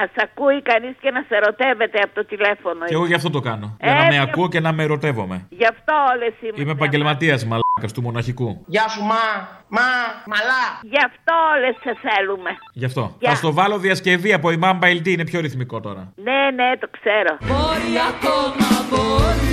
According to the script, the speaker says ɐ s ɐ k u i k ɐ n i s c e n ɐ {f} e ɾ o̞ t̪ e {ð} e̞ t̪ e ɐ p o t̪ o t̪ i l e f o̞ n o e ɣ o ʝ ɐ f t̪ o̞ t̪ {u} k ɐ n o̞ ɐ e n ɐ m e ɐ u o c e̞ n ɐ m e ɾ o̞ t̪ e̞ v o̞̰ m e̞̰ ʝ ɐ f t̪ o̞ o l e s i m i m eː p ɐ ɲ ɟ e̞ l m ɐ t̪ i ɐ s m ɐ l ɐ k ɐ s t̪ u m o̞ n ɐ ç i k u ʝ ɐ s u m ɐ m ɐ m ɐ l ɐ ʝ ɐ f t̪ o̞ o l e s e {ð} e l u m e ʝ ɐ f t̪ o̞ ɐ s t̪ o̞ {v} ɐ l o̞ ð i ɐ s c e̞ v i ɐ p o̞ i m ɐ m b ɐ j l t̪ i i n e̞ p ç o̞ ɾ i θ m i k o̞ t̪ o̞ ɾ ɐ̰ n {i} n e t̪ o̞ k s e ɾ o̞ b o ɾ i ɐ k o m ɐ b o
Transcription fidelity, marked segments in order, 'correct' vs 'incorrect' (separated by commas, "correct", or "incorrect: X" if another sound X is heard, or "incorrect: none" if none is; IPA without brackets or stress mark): incorrect: s, incorrect: v, incorrect: o, incorrect: θ, correct, incorrect: e